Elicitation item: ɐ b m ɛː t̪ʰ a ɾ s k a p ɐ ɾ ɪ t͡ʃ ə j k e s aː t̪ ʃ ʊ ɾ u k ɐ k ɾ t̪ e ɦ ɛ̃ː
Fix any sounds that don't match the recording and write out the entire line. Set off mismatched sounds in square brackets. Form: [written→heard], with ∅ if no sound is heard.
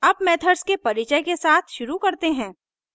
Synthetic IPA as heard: ɐ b m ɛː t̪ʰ [a→ə] ɾ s k [a→e] p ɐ ɾ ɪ t͡ʃ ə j k e s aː [t̪→t̪ʰ] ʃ ʊ ɾ u k ɐ [k→∅] ɾ t̪ e ɦ ɛ̃ː